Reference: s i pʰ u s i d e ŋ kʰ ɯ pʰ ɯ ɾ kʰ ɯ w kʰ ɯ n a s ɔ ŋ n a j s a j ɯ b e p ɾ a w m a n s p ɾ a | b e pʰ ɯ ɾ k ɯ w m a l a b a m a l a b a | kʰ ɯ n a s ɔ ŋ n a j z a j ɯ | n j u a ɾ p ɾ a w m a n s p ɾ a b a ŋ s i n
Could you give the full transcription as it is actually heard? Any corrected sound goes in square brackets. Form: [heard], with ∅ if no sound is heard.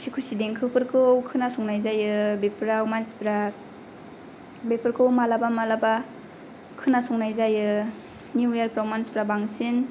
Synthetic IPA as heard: s i [kʰ] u s i d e ŋ kʰ ɯ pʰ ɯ ɾ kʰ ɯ w kʰ ɯ n a s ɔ ŋ n a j [z] a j ɯ b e p ɾ a w m a n s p ɾ a | b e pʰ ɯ ɾ k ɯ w m a l a b a m a l a b a | kʰ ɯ n a s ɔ ŋ n a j z a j ɯ | n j u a ɾ p ɾ a w m a n s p ɾ a b a ŋ s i n

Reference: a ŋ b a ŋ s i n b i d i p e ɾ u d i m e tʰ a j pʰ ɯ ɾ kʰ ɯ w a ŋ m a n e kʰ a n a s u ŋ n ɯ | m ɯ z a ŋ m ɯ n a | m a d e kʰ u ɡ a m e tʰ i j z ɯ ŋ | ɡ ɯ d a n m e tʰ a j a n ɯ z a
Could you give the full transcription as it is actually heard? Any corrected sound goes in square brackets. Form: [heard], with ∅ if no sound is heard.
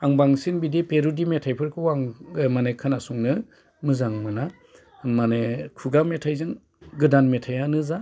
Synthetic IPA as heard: a ŋ b a ŋ s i n b i d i p e ɾ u d i m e tʰ a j pʰ ɯ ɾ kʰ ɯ w a ŋ m a n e kʰ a n a s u ŋ n ɯ | m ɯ z a ŋ m ɯ n a | m a [n] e kʰ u ɡ a m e tʰ [a] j z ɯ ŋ | ɡ ɯ d a n m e tʰ a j a n ɯ z a

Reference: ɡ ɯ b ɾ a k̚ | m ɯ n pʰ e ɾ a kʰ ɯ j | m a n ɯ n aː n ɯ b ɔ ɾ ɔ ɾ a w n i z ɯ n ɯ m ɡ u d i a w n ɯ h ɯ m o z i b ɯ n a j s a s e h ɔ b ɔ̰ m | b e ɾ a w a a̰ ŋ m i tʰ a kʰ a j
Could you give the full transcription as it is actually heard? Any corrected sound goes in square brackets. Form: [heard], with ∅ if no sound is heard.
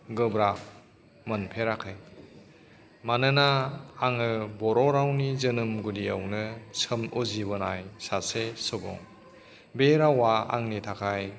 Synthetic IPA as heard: ɡ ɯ b ɾ a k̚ | m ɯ n pʰ e ɾ a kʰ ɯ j | m a n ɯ n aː [ŋ] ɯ b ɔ ɾ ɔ ɾ a w n i z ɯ n ɯ m ɡ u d i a w n ɯ [s] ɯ m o z i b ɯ n a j s a s e [s] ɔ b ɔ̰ [ŋ] | b e ɾ a w a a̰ ŋ [n] i tʰ a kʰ a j

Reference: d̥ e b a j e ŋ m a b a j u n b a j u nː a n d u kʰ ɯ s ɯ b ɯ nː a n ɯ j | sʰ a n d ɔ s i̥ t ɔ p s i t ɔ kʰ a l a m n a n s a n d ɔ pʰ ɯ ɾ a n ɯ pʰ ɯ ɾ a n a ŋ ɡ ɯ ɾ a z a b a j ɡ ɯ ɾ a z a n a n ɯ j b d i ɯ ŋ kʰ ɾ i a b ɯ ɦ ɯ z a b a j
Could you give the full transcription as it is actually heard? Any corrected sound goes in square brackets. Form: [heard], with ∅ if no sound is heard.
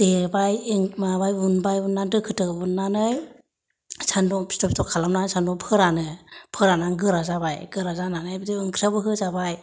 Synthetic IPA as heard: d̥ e b a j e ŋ m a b a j u n b a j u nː a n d [ɯ] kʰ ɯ [t] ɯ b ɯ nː a n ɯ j | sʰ a n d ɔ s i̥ t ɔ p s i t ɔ kʰ a l a m n a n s a n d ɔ pʰ ɯ ɾ a n ɯ pʰ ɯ ɾ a n a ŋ ɡ ɯ ɾ a z a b a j ɡ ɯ ɾ a z a n a n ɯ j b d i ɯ ŋ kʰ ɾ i a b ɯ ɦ ɯ z a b a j

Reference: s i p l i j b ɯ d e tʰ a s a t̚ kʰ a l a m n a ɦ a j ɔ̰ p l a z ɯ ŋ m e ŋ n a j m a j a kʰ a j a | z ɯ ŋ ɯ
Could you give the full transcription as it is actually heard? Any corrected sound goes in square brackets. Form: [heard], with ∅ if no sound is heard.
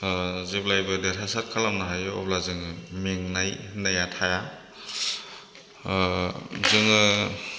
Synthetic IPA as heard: [z] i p l [a] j b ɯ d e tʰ a s a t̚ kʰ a l a m n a ɦ a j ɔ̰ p l a z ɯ ŋ m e ŋ n a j [n] a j a [tʰ] a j a | z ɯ ŋ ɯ

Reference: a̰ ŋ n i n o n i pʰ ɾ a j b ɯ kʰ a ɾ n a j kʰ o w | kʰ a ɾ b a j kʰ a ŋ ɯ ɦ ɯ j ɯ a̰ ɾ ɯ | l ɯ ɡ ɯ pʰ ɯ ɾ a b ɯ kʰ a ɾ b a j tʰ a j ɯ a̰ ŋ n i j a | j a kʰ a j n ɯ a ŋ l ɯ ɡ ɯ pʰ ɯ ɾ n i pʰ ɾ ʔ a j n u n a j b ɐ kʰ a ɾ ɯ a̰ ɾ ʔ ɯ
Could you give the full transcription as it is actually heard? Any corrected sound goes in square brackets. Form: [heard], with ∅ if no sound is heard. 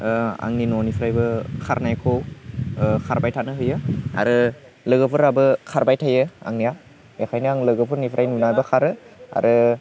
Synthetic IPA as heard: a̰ ŋ n i n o n i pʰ ɾ a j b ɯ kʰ a ɾ n a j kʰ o w | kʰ a ɾ b a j [tʰ] a [n] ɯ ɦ ɯ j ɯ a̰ ɾ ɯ | l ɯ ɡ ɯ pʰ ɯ ɾ a b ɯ kʰ a ɾ b a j tʰ a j ɯ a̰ ŋ n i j a | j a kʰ a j n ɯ a ŋ l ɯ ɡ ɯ pʰ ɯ ɾ n i pʰ ɾ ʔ a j n u n a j b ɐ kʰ a ɾ ɯ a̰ ɾ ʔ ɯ

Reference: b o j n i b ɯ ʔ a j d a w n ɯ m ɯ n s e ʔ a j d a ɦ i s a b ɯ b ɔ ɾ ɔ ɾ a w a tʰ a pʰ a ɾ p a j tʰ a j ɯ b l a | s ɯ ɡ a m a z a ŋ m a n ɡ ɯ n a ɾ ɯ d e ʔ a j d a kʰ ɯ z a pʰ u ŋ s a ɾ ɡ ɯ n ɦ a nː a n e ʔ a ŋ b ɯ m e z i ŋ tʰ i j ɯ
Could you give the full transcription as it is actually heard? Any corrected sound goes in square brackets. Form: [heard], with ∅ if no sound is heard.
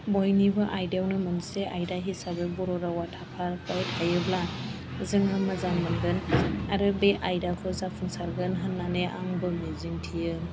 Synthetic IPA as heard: b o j n i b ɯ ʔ a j d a w n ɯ m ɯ n s e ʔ a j d a ɦ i s a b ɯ b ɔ ɾ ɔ ɾ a w a tʰ a pʰ a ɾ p a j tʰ a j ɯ b l a | [z] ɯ [ŋ] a m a z a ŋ m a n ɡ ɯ n a ɾ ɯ [b] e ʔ a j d a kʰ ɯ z a pʰ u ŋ s a ɾ ɡ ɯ n ɦ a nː a n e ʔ a ŋ b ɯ m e z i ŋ tʰ i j ɯ

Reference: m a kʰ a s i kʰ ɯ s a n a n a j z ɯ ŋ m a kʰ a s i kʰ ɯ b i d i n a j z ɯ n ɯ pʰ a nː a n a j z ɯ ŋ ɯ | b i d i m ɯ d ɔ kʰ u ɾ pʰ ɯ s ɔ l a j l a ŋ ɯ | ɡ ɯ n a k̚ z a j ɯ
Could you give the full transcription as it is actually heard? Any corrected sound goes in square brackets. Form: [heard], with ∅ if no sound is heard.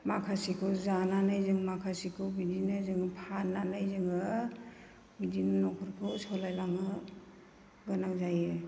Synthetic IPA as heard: m a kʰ a s i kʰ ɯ [z] a n a n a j z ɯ ŋ m a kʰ a s i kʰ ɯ b i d i n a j z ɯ [ŋ] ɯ pʰ a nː a n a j z ɯ ŋ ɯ | b i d i [n] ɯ [n] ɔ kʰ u ɾ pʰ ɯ s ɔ l a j l a ŋ ɯ | ɡ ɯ n a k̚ z a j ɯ

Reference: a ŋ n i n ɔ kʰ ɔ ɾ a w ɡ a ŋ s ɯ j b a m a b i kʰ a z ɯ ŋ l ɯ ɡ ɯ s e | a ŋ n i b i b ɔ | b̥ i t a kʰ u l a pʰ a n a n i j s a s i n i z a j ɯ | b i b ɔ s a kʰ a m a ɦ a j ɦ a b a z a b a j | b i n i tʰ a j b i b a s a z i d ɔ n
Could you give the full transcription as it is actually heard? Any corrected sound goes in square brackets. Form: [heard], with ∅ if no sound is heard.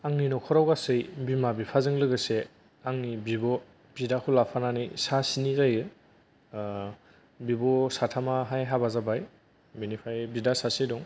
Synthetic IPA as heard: a ŋ n i n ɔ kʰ ɔ ɾ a w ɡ a [∅] s ɯ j b [i] m a b i [pʰ] a z ɯ ŋ l ɯ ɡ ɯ s e | a ŋ n i b i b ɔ | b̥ i [d] a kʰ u l a pʰ a n a n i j s a s i n i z a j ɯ | b i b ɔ s a [tʰ] a m a ɦ a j ɦ a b a z a b a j | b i n i [pʰ] a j b i [d] a s a [s] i d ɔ [ŋ]

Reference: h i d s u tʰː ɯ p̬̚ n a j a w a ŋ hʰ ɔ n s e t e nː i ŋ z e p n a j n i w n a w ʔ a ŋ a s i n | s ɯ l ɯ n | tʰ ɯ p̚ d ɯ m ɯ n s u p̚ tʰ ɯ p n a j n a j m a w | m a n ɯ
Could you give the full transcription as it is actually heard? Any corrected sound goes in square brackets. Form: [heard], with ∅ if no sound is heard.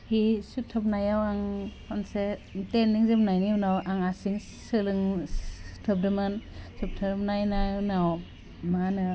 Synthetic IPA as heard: h i [∅] s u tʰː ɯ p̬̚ n a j a w a ŋ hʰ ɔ n s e t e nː i ŋ z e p n a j n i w n a w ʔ a ŋ a s i [ŋ] | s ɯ l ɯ [ŋ] | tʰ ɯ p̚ d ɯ m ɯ n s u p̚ tʰ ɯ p n a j n a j [n] a w | m a n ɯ

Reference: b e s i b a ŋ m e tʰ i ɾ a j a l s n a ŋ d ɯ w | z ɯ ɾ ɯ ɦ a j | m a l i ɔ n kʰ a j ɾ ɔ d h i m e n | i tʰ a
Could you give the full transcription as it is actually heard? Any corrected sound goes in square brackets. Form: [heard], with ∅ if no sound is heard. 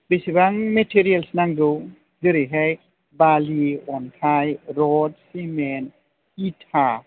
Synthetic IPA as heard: b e s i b a ŋ m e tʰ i ɾ [i] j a l s n a ŋ d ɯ w | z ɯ ɾ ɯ ɦ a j | [b] a l i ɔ n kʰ a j ɾ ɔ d [s] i m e n | i tʰ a

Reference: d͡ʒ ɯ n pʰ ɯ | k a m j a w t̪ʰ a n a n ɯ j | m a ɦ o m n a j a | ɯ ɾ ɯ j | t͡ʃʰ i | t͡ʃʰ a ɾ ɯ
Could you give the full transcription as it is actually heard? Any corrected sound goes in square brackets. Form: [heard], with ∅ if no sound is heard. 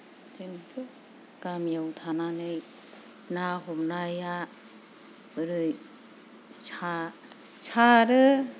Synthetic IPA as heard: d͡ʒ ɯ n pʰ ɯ | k a m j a w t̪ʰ a n a n ɯ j | [n] a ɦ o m n a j a | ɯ ɾ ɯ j | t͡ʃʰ [a] | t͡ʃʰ a ɾ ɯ

